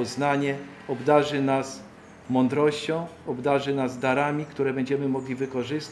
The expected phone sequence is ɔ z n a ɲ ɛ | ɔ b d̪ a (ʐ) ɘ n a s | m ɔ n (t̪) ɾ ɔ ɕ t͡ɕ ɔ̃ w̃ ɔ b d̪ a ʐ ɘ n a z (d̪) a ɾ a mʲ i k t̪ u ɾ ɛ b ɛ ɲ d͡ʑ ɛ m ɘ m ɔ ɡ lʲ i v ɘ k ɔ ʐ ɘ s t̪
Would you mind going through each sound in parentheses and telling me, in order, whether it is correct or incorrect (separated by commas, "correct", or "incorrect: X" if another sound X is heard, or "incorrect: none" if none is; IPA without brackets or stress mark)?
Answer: correct, incorrect: d̪, correct